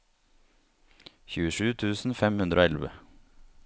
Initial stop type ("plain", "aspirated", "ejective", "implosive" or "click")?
aspirated